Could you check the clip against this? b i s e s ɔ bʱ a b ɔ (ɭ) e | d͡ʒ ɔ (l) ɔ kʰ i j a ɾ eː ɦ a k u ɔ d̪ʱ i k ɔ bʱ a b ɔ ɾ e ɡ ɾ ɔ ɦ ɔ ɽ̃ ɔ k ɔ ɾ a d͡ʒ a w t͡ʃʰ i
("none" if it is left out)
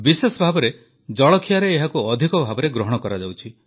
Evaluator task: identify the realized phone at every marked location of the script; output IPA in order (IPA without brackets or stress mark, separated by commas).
ɾ, ɭ